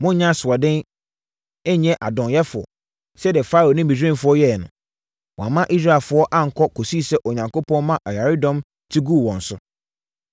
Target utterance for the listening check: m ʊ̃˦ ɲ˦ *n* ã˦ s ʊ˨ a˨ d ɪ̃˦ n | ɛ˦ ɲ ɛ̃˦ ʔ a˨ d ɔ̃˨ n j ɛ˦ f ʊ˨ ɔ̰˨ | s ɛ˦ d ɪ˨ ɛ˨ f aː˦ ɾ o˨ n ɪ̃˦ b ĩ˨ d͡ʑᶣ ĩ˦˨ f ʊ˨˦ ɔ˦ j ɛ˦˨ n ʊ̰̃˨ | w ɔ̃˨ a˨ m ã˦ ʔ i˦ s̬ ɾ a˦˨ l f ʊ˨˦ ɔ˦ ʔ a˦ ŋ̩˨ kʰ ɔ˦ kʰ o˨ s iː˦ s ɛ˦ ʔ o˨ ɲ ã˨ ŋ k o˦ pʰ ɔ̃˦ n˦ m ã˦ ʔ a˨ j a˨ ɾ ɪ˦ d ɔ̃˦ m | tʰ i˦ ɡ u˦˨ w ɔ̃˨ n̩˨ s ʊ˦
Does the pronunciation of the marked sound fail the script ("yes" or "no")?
yes